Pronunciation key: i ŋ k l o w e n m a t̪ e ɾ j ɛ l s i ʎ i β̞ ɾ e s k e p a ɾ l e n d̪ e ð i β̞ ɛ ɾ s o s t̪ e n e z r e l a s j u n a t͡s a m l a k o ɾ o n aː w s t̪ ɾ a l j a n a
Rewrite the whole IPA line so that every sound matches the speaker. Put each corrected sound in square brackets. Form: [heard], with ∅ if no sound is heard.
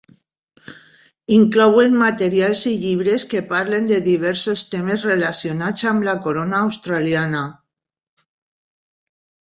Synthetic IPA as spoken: i ŋ k l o w e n m a t̪ e ɾ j [a] l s i ʎ i β̞ ɾ e s k e p a ɾ l e n d̪ e ð i β̞ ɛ ɾ s o s t̪ e [m] e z r e l a s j [o] n a t͡s a m l a k o ɾ o n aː w s t̪ ɾ a l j a n a